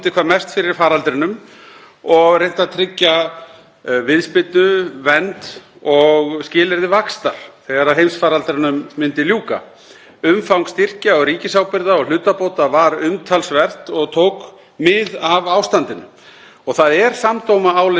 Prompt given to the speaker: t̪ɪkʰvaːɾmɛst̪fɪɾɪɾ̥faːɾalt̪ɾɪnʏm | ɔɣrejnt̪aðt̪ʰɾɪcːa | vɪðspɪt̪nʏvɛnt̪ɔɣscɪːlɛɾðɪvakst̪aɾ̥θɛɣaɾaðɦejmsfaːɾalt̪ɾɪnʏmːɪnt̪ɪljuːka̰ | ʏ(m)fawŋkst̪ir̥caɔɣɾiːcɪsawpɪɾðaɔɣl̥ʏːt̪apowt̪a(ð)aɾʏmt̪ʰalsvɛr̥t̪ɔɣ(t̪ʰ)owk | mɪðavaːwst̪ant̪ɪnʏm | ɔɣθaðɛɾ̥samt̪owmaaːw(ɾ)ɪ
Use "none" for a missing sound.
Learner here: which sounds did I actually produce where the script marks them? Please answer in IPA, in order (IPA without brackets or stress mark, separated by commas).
m, v, t̪ʰ, l